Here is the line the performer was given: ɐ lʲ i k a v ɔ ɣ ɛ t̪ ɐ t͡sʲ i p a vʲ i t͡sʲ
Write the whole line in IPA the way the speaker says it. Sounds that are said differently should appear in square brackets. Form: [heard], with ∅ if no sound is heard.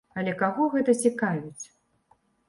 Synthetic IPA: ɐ lʲ [ɛ] k a [ɣ] ɔ ɣ ɛ t̪ ɐ t͡sʲ i [k] a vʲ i t͡sʲ